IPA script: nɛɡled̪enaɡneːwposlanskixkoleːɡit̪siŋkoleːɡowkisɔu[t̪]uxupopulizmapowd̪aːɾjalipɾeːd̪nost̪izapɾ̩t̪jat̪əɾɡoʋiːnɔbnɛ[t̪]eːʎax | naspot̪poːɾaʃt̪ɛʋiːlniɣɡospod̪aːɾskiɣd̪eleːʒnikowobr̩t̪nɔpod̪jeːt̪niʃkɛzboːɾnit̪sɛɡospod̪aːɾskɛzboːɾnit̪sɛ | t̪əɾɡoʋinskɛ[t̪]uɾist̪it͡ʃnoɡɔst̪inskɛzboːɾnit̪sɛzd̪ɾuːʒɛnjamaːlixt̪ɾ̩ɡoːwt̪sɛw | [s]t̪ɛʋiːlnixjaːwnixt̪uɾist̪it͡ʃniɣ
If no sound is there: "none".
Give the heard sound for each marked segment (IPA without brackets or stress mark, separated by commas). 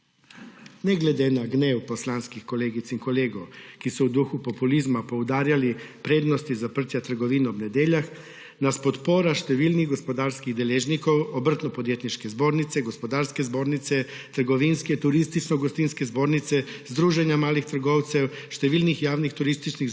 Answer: d̪, d̪, t̪, ʃ